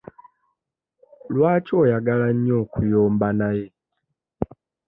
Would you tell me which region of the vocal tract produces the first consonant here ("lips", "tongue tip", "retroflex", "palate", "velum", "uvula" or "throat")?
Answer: tongue tip